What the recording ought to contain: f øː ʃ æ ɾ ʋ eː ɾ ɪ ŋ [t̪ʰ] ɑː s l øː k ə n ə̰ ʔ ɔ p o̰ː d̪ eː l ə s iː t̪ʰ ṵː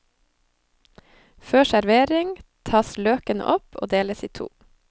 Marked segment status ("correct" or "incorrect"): correct